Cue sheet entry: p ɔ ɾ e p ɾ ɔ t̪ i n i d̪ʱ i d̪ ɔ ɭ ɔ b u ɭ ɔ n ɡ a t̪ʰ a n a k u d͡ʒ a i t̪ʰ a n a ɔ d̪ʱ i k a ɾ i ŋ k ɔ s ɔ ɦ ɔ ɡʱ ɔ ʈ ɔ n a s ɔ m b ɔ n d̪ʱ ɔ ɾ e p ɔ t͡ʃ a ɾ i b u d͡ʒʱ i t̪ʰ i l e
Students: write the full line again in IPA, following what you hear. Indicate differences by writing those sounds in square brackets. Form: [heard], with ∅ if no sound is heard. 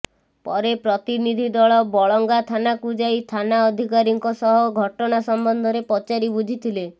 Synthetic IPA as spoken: p ɔ ɾ e p ɾ ɔ t̪ i n i d̪ʱ i d̪ ɔ ɭ ɔ b [ɔ] ɭ ɔ [ŋ] ɡ a t̪ʰ a n a k u d͡ʒ a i t̪ʰ a n a ɔ d̪ʱ i k a ɾ i ŋ k ɔ s ɔ ɦ ɔ ɡʱ ɔ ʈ ɔ n a s ɔ m b ɔ n d̪ʱ ɔ ɾ e p ɔ t͡ʃ a ɾ i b u d͡ʒʱ i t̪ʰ i l e